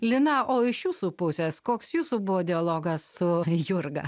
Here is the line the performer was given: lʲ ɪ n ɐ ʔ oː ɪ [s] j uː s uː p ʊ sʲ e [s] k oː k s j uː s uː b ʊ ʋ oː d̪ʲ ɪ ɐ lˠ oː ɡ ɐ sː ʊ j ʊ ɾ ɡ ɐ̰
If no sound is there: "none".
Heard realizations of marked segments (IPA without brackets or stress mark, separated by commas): ʃ, s